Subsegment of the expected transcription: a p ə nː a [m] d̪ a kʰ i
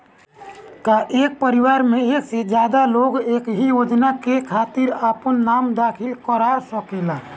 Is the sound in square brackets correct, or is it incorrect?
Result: correct